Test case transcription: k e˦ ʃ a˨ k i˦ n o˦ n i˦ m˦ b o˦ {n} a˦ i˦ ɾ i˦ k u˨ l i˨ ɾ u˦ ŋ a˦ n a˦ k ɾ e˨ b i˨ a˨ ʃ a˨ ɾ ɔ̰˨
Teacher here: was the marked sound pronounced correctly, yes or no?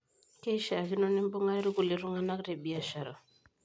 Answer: no